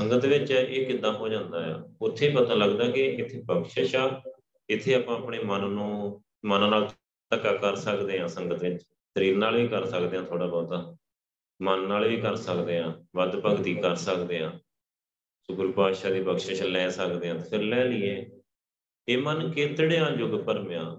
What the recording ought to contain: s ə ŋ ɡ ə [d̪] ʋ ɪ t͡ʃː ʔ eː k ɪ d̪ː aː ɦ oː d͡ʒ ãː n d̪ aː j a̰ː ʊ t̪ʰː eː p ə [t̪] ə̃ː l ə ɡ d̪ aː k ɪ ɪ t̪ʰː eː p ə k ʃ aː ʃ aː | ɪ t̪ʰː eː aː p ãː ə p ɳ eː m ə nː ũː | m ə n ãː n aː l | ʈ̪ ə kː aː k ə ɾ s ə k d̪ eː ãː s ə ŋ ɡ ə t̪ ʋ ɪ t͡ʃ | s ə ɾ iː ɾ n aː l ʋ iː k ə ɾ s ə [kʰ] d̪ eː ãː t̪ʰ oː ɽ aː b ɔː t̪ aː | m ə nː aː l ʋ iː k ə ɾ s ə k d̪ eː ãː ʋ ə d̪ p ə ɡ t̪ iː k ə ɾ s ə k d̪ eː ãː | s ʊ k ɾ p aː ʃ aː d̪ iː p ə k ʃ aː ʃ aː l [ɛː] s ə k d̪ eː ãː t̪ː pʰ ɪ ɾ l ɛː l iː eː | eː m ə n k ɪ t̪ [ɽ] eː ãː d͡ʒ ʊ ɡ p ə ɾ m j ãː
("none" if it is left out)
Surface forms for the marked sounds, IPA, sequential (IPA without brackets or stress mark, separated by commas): t̪, t̪, k, ɛː, ɽ